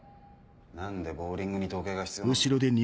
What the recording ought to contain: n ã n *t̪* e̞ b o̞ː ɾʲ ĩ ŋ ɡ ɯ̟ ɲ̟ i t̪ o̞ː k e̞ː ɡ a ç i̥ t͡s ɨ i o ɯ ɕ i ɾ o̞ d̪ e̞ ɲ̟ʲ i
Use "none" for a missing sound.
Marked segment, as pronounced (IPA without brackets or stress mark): d̪